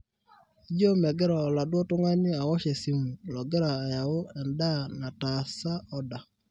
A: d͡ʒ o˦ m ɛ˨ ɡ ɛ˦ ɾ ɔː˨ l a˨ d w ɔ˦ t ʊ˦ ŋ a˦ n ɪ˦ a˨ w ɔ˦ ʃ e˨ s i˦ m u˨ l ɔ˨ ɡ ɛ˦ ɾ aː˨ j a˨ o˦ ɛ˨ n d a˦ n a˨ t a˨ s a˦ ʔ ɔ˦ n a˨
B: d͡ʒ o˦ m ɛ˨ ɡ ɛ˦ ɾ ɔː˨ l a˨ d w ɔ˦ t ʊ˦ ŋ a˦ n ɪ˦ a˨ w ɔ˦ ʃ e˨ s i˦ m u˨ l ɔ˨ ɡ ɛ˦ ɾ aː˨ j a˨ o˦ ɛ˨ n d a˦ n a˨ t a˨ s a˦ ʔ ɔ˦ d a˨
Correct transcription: B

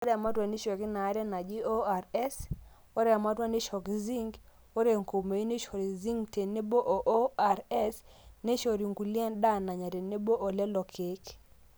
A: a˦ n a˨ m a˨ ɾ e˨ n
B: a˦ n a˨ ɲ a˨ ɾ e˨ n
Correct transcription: B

